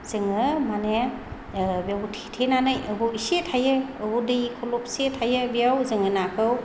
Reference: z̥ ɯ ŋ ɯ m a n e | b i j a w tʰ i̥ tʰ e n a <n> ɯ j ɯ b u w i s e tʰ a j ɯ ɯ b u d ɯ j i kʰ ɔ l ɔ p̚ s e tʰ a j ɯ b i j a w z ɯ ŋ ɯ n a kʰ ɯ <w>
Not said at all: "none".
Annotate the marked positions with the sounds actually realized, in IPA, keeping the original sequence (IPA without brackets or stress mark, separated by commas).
n, w